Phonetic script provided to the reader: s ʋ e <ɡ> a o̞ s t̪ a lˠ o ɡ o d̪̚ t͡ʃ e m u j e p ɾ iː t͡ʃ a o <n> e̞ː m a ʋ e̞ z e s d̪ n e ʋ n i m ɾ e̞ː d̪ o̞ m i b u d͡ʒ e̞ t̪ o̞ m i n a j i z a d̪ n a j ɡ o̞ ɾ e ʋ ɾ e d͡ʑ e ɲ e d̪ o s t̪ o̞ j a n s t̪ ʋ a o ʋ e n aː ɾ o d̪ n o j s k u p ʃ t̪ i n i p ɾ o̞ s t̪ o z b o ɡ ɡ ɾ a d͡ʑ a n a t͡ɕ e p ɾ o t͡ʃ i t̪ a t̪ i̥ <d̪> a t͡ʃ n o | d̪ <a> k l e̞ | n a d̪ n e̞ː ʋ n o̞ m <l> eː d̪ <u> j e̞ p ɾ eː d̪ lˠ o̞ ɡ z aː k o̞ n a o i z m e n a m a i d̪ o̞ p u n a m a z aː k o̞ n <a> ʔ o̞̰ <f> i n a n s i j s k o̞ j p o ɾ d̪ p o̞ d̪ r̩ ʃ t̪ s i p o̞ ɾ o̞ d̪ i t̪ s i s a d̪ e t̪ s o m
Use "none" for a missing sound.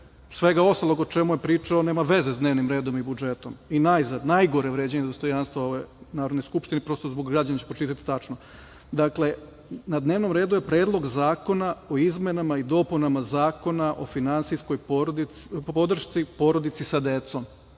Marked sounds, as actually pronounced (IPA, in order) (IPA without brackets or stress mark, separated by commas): ɡ, n, t̪, a, ɾ, u, a, f